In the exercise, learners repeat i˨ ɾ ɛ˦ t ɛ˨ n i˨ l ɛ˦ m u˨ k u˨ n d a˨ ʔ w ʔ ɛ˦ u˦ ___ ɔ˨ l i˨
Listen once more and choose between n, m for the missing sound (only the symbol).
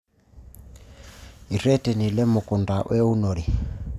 n